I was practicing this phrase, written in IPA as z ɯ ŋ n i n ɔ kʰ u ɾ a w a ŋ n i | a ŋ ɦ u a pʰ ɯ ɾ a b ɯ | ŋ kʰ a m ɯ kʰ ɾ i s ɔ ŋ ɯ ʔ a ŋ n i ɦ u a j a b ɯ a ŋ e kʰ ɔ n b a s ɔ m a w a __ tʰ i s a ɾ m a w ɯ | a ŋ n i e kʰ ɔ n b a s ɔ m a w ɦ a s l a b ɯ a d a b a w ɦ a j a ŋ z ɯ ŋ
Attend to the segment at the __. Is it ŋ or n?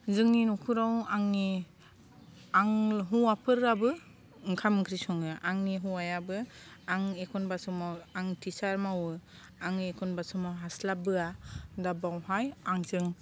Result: ŋ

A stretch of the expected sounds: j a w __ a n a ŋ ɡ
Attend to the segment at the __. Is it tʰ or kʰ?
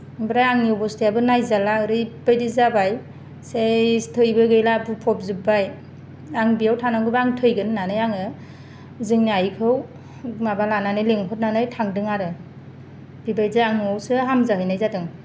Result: tʰ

